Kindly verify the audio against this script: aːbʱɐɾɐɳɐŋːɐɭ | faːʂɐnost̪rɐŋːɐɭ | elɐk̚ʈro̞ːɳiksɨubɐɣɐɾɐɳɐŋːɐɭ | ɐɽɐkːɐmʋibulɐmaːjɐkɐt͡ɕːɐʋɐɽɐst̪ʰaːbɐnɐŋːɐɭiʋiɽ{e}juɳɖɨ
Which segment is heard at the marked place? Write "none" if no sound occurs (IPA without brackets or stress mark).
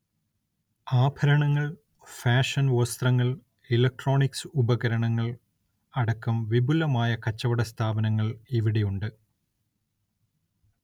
e